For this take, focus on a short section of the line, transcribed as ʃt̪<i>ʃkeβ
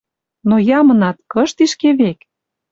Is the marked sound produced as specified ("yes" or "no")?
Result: yes